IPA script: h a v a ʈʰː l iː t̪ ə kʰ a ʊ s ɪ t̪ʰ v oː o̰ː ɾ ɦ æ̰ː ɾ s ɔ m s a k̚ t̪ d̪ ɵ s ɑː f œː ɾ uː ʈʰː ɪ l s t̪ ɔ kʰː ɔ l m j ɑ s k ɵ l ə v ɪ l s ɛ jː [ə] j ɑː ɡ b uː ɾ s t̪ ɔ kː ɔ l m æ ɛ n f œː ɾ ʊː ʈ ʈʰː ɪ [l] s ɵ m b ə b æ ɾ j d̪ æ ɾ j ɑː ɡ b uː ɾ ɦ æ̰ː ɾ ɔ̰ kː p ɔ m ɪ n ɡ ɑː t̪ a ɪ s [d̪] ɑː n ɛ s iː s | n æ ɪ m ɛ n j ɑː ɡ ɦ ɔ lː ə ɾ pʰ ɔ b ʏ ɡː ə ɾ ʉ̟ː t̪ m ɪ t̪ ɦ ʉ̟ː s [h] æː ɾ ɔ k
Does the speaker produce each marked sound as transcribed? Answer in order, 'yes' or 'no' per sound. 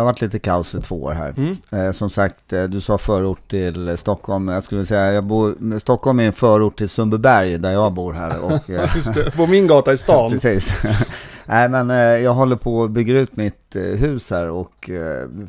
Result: no, yes, no, yes

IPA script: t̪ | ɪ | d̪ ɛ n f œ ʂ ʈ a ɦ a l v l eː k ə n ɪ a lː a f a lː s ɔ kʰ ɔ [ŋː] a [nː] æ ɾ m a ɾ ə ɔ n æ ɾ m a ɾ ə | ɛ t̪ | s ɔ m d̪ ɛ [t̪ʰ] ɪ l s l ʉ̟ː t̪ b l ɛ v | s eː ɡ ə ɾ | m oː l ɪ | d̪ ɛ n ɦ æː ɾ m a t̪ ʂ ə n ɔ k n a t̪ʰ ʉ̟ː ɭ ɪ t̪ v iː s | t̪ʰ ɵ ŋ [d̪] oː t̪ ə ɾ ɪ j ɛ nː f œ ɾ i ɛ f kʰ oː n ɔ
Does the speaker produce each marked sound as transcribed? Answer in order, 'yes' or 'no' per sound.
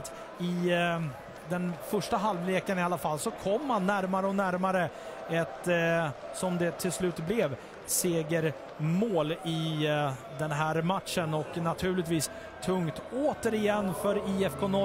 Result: no, yes, yes, no

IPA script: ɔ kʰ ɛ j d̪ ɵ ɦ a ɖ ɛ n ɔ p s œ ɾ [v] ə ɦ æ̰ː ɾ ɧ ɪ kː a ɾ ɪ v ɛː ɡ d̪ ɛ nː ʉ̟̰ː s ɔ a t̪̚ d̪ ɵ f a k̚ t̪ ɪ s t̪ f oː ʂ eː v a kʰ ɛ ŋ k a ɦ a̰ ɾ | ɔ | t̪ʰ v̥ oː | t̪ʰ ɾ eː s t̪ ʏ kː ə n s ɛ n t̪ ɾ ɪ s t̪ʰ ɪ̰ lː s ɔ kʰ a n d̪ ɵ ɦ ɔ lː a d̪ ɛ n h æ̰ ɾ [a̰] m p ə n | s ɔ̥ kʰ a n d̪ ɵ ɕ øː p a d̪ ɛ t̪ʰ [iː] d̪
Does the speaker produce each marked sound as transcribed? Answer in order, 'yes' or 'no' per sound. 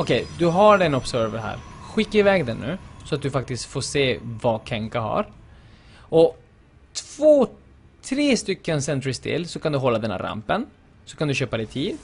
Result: yes, yes, yes

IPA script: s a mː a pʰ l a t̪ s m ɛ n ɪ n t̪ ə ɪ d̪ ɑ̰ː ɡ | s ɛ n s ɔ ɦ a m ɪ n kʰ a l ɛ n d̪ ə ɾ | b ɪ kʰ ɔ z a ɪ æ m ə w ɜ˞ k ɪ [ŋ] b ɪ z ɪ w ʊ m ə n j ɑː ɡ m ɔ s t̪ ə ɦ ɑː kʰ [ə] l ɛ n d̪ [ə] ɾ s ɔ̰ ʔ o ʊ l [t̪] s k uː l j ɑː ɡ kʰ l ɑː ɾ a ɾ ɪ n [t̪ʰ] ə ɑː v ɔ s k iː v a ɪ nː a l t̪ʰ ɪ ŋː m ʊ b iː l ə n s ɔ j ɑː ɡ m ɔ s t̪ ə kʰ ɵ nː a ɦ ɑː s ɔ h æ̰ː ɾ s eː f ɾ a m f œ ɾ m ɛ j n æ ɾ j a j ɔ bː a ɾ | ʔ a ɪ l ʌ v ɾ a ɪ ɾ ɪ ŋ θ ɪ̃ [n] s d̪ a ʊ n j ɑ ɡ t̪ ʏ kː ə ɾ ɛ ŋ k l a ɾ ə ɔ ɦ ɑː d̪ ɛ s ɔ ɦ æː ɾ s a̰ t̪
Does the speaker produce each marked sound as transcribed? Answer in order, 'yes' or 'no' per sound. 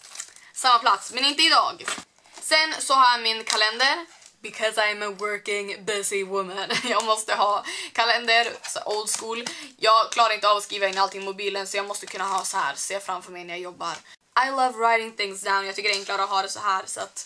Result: yes, no, yes, no, no, no

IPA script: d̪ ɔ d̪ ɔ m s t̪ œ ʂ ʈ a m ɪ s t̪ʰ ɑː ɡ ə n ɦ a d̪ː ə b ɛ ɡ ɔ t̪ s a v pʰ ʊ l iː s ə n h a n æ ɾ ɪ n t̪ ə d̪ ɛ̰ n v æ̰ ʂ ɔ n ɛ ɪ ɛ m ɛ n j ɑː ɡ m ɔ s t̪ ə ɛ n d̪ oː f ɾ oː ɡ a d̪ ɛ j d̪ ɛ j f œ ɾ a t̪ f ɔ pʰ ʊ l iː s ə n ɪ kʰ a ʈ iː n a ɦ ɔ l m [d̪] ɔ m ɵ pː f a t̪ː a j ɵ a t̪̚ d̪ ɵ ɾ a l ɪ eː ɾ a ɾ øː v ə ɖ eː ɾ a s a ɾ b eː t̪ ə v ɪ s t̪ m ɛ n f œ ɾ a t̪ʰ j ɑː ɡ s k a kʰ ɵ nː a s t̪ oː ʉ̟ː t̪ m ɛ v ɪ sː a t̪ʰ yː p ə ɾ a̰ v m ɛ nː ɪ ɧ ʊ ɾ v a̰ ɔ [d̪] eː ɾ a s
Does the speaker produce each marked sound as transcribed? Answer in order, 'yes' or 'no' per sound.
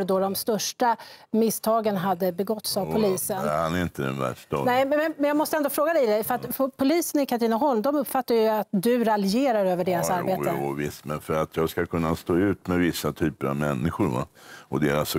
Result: yes, yes

